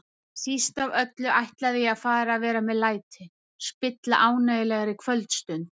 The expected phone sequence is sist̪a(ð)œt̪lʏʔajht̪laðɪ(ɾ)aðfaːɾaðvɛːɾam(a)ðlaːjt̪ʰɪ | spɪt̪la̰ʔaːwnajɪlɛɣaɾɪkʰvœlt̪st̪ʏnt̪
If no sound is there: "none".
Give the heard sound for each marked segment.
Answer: v, none, ɛ

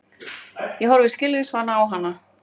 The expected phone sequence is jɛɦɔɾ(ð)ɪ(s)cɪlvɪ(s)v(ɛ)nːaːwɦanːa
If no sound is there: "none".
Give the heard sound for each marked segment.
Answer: v, s, s, a

